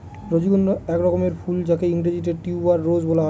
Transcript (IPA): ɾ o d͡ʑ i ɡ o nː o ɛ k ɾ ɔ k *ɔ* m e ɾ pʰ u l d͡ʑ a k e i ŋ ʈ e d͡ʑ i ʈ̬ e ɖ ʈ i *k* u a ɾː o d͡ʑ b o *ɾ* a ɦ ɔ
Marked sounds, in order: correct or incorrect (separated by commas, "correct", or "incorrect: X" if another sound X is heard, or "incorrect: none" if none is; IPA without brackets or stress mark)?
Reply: incorrect: o, incorrect: none, incorrect: l